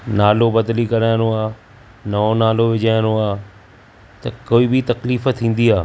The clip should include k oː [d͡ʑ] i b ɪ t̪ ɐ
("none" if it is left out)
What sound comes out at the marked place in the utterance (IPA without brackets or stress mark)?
none